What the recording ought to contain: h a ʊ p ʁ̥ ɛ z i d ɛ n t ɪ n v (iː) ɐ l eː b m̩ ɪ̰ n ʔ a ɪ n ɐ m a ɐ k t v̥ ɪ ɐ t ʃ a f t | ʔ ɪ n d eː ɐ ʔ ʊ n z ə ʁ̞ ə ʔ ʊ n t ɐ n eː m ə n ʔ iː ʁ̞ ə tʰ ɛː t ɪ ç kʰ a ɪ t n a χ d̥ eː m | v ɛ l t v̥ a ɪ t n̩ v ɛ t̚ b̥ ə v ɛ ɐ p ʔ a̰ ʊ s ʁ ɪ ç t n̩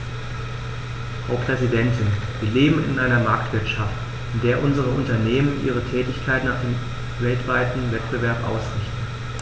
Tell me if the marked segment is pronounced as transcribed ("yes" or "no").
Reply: yes